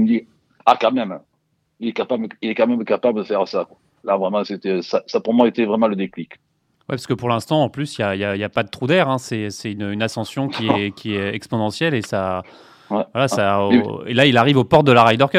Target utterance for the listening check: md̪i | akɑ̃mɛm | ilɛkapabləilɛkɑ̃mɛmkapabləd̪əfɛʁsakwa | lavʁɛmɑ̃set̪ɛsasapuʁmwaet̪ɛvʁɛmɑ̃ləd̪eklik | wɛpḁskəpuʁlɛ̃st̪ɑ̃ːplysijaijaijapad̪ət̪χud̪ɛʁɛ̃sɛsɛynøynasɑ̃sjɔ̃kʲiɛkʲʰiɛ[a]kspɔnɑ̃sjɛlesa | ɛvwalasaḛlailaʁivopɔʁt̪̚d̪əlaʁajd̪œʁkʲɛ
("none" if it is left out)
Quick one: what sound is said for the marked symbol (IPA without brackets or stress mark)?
ɛ